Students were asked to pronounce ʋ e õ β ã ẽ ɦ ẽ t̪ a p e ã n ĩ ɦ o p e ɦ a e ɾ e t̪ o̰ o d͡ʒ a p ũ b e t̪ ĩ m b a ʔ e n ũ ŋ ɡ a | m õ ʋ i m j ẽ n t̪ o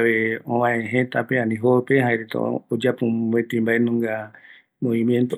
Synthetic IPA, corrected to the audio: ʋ e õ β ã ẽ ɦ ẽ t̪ a p e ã n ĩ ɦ o p e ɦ a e ɾ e t̪ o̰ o d͡ʒ a p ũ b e t̪ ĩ m b a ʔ e n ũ ŋ ɡ a | m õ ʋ i m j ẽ n t̪ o